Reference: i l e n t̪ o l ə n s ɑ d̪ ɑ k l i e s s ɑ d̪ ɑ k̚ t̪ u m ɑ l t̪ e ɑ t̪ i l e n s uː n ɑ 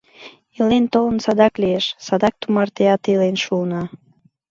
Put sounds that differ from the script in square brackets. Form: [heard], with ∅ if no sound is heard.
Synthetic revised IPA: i l e n t̪ o l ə n s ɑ d̪ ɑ k l i e [ʃ] s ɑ d̪ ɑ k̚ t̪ u m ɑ [r] t̪ e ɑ t̪ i l e n [ʃ] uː n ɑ